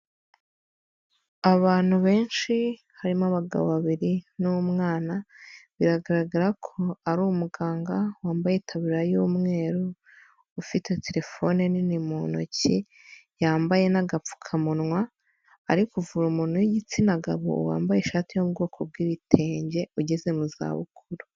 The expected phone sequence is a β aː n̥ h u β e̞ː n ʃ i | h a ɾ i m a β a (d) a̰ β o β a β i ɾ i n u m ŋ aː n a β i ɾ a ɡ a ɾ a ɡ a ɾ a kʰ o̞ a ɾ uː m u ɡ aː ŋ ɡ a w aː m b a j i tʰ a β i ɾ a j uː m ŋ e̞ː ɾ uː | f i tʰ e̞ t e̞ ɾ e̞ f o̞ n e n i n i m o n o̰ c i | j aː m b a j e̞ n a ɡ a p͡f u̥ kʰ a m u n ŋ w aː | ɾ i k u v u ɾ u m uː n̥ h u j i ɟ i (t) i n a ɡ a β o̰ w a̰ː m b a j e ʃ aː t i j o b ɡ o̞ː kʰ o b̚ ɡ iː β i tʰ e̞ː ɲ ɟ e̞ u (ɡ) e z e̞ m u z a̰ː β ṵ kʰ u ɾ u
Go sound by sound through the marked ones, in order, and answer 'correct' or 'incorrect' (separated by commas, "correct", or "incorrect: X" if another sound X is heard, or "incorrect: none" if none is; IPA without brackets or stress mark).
incorrect: ɡ, incorrect: t͡s, incorrect: ɟ